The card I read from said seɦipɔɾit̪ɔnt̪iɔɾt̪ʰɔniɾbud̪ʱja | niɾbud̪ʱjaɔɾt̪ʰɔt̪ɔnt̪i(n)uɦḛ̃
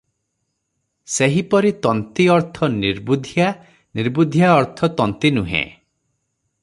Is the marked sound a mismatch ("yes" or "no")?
no